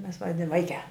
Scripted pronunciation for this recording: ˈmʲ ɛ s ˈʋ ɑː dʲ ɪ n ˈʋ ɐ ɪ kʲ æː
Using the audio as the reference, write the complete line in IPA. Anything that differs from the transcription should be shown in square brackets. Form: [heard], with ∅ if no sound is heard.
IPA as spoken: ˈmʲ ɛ s ˈʋ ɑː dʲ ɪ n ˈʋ ɐ ɪ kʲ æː